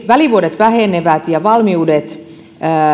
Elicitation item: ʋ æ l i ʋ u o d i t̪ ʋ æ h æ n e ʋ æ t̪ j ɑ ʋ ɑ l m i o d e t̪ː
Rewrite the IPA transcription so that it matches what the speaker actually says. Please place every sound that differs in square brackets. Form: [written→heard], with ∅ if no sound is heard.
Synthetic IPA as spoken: ʋ æ l i ʋ u o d [i→e] t̪ ʋ æ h [æ→e] n e ʋ æ t̪ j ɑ ʋ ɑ l m i [o→u] d e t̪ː